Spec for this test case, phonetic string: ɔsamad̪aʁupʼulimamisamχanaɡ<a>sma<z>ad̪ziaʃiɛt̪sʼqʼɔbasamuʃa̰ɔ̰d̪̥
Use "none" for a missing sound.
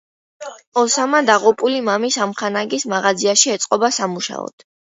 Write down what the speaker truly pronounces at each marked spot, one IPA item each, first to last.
i, ʁ

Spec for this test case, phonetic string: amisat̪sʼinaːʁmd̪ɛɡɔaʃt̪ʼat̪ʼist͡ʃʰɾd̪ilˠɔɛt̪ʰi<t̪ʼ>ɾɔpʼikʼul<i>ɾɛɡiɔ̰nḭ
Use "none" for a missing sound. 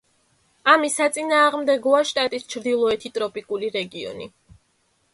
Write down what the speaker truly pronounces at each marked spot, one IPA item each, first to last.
t̪ʼ, i

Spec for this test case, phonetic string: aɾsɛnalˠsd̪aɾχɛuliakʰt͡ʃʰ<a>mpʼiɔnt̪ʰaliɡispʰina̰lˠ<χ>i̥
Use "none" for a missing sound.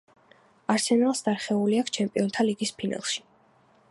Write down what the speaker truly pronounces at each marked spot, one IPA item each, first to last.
ɛ, ʃ

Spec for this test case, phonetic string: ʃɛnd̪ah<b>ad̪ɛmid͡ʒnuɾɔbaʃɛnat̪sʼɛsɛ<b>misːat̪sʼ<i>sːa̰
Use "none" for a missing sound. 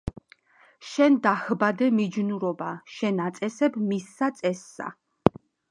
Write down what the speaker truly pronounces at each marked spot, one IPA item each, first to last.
b, b, ɛ

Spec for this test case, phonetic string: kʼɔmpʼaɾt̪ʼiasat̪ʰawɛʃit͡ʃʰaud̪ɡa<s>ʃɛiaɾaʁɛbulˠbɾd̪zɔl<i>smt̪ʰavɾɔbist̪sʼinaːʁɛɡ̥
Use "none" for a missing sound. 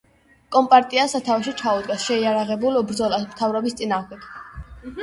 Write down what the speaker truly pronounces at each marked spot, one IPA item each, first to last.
s, a

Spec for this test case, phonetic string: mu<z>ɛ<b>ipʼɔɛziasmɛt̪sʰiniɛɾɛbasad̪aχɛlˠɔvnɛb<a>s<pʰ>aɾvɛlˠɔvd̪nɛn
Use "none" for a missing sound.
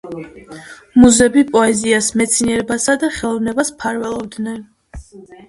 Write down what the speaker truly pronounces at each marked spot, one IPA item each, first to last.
z, b, a, pʰ

